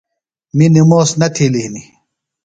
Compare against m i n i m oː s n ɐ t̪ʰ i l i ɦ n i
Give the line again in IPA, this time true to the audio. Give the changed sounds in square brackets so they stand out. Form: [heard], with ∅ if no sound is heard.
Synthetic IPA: m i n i m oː s n ɐ t̪ʰ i l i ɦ n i